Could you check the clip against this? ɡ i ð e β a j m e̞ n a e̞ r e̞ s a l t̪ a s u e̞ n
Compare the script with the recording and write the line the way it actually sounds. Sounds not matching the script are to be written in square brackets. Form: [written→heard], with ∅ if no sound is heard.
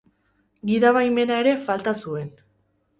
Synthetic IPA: ɡ i ð [e→a] β a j m e̞ n a e̞ [r→ɾ] e̞ [s→f] a l t̪ a s u e̞ n